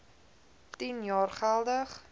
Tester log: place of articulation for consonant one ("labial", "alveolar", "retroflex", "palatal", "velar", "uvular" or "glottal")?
alveolar